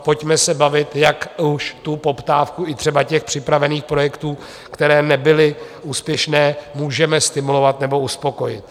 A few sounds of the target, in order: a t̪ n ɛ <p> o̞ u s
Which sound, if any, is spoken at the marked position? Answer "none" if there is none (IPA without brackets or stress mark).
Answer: b